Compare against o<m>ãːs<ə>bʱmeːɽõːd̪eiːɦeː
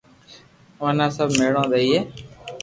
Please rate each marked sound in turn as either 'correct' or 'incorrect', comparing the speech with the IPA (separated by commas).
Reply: incorrect, correct